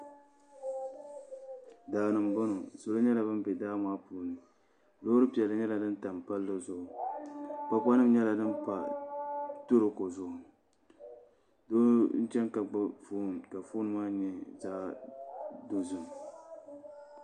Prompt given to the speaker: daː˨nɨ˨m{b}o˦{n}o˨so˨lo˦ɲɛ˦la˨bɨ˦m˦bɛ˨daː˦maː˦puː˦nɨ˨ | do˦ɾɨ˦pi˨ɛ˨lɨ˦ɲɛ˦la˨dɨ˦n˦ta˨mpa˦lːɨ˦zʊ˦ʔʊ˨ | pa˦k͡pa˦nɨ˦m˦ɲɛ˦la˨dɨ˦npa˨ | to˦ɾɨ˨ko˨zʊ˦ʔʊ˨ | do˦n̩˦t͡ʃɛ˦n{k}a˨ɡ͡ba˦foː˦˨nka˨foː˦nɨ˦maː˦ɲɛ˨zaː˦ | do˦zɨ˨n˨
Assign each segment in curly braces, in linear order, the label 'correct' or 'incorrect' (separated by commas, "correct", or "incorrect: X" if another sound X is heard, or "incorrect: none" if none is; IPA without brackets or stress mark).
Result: correct, correct, correct